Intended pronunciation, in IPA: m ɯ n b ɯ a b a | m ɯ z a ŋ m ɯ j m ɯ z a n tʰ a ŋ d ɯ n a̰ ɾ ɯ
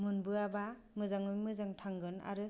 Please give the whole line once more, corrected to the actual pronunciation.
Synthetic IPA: m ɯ n b ɯ a b a | m ɯ z a ŋ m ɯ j m ɯ z a ŋ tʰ a ŋ ɡ ɯ n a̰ ɾ ɯ